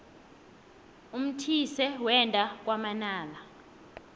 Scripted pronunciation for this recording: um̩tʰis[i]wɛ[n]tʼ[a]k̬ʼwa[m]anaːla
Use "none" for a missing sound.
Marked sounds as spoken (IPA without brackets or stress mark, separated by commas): ɛ, n, a, m